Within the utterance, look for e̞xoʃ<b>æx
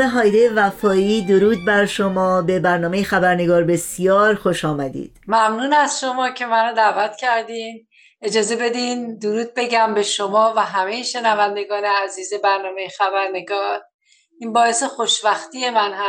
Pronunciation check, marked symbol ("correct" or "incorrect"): incorrect